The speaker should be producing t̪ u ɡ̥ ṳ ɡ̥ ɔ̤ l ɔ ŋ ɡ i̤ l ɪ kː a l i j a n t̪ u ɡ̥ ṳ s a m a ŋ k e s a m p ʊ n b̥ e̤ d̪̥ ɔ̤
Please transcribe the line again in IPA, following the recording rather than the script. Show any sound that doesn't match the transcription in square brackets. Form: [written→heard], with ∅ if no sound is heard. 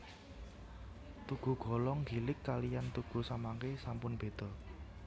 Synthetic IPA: t̪ u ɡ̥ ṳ ɡ̥ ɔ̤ l ɔ ŋ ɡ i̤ l ɪ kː a l i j a n t̪ u ɡ̥ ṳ s a m a ŋ k e s a m p ʊ n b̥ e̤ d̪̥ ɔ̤

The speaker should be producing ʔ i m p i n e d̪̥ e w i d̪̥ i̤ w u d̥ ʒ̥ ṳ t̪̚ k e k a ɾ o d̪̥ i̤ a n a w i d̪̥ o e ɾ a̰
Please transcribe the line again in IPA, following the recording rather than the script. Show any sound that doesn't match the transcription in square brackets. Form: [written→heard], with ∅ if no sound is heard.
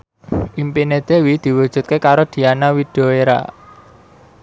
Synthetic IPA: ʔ i m p i n e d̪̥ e w i d̪̥ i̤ w u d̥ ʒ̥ ṳ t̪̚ k e k a ɾ o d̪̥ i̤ a n a w i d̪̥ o e ɾ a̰

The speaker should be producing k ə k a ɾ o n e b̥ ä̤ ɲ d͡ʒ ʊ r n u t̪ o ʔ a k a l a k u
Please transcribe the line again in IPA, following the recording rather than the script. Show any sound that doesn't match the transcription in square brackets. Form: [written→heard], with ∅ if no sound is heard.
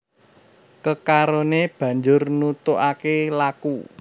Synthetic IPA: k ə k a ɾ o n e b̥ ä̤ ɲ d͡ʒ ʊ r n u t̪ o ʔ a k [a→e] l a k u

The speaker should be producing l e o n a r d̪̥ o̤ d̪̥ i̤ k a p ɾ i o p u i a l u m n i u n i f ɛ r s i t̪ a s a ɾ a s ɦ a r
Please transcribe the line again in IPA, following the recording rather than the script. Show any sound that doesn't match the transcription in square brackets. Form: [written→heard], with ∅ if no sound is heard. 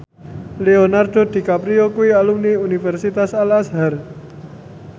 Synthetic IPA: l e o n a r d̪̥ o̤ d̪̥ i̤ k a p ɾ i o [p→k] u i a l u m n i u n i f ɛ r s i t̪ a s a [ɾ→l] a s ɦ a r

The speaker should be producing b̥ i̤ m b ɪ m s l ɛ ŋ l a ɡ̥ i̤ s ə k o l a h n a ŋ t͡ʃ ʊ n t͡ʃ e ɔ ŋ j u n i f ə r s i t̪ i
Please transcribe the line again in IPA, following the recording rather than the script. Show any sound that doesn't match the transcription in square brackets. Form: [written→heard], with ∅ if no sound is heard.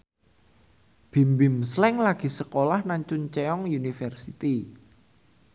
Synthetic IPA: b̥ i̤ m b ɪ m s l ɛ ŋ l a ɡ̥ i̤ s ə k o l a h n a [ŋ→ɲ] t͡ʃ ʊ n t͡ʃ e ɔ ŋ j u n i f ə r s i t̪ i

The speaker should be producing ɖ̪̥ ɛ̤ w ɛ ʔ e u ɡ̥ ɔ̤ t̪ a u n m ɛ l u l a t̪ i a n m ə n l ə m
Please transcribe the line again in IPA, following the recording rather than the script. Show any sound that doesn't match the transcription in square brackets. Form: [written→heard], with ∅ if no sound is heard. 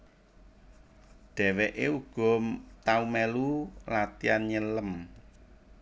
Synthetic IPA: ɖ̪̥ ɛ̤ w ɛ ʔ e u ɡ̥ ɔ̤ t̪ a u [n→∅] m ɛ l u l a t̪ i a n [m→ɲ] ə [n→∅] l ə m

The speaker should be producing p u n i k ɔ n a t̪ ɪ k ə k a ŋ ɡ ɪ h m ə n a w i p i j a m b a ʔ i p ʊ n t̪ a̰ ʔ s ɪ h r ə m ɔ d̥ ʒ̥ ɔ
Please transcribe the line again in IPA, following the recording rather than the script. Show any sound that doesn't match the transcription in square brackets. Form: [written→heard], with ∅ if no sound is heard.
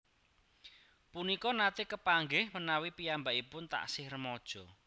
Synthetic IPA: p u n i k ɔ n a t̪ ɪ k ə [k→p] a ŋ ɡ ɪ h m ə n a w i p i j a m b a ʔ i p ʊ n t̪ a̰ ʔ s ɪ h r ə m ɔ d̥ ʒ̥ ɔ

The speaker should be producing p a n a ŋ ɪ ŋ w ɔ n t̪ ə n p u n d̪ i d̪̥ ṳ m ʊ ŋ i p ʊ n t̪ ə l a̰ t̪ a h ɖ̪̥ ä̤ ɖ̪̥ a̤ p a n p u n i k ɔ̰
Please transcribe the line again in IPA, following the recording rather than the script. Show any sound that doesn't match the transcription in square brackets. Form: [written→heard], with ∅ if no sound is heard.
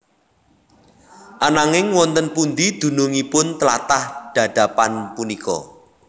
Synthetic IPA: [p→ʔ] a n a ŋ ɪ ŋ w ɔ n t̪ ə n p u n d̪ i d̪̥ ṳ [m→n] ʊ ŋ i p ʊ n t̪ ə l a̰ t̪ a h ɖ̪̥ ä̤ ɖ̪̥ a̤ p a n p u n i k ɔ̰

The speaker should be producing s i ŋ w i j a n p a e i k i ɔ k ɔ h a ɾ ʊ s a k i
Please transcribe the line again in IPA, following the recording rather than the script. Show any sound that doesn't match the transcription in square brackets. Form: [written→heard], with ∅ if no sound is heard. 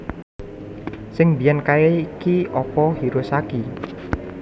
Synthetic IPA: s [i→ɪ] ŋ [w→b] i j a n [p→k] a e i k i ɔ [k→p] ɔ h [a→i] ɾ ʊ s a k i

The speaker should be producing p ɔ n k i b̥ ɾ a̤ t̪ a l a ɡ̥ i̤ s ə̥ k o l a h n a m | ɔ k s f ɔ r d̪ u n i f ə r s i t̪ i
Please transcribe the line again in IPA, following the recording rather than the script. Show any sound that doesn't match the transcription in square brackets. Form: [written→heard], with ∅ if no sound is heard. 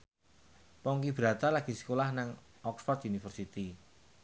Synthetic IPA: p ɔ [n→ŋ] k i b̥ ɾ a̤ t̪ a l a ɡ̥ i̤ s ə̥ k o l a h n a [m→ŋ] | ɔ k s f ɔ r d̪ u n i f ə r s i t̪ i

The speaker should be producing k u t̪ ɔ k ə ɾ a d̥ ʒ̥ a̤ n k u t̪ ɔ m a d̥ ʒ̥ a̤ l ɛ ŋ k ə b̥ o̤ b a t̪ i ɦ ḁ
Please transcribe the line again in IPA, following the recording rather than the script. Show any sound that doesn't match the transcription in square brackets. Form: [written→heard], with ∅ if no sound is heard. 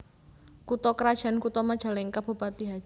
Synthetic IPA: k u t̪ ɔ k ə ɾ a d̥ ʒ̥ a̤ n k u t̪ ɔ m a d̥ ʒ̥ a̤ l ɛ ŋ k [ə→a] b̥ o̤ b a t̪ i ɦ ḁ

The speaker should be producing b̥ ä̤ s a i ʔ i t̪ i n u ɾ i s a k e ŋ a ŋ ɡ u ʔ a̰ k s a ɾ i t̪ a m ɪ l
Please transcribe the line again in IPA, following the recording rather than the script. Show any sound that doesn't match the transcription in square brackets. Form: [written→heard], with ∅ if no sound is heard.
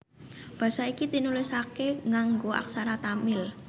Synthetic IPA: b̥ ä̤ s a i [ʔ→k] i t̪ i n u [ɾ→l] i s a k e ŋ a ŋ ɡ [u→o] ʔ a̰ k s a ɾ [i→a] t̪ a m ɪ l

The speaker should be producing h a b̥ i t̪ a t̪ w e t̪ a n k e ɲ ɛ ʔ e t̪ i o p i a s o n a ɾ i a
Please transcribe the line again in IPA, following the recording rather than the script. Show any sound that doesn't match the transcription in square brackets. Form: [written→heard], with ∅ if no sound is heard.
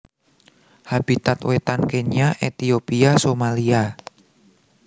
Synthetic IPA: h a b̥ i t̪ a t̪ w e t̪ a n k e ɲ [ɛ→a] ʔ e t̪ i o p i a s o [n→m] a [ɾ→l] i a

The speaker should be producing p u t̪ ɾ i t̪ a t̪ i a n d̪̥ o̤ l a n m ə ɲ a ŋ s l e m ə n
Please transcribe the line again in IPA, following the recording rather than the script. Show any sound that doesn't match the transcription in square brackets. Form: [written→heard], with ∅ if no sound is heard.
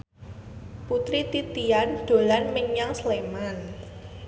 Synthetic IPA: p u t̪ ɾ i t̪ [a→i] t̪ i a n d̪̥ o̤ l a n m ə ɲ a ŋ s l e m [ə→a] n

